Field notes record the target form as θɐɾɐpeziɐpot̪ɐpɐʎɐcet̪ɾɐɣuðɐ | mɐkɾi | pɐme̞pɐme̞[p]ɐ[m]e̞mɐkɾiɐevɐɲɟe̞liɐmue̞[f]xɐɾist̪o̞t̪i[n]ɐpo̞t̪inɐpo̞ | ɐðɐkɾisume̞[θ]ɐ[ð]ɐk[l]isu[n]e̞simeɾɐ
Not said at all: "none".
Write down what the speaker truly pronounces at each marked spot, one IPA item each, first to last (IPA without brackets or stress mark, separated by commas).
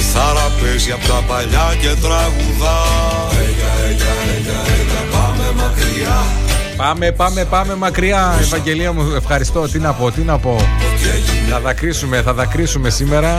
p, m, f, n, θ, ð, ɾ, m